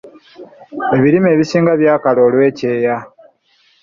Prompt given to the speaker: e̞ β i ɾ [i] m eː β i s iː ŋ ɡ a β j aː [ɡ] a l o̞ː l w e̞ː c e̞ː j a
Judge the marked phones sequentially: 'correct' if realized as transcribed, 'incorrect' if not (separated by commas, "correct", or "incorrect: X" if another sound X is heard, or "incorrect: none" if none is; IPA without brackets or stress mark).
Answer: correct, incorrect: k